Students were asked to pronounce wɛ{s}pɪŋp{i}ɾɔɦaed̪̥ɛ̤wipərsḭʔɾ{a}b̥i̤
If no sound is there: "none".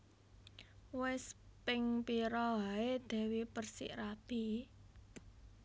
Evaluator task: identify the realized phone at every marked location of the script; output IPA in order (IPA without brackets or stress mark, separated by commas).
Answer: s, i, a